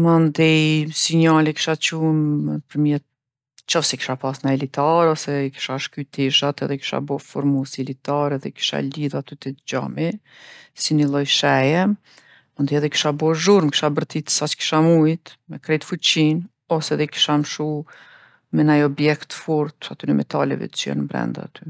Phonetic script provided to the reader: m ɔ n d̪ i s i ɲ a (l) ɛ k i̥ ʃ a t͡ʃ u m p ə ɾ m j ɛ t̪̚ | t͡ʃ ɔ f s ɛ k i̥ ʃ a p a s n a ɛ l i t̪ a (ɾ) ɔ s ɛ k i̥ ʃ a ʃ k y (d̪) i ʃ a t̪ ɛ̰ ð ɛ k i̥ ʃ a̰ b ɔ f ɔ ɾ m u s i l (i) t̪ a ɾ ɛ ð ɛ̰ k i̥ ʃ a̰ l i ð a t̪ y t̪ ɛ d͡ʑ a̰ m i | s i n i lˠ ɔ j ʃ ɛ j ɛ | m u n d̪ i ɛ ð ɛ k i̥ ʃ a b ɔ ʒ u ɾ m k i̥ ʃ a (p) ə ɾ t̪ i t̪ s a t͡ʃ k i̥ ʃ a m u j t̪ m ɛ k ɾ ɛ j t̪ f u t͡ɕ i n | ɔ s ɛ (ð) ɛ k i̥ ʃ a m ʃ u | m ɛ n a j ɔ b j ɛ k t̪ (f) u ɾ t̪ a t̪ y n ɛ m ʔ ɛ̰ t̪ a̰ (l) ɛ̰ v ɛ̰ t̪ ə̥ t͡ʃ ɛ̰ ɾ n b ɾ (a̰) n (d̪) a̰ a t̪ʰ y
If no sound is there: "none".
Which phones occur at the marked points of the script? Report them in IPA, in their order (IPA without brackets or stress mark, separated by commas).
l, ɾ, t̪, i, b, ð, f, l, ɛ̰, d̪